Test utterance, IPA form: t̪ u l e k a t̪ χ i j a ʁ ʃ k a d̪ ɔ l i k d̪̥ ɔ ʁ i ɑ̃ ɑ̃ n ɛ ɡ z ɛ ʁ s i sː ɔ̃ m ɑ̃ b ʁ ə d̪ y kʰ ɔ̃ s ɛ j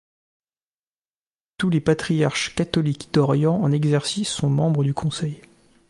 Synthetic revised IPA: t̪ u l e p a t̪ χ i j a ʁ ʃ k a t̪ ɔ l i k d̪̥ ɔ ʁ j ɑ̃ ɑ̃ n ɛ ɡ z ɛ ʁ s i sː ɔ̃ m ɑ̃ b ʁ ə d̪ y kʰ ɔ̃ s ɛ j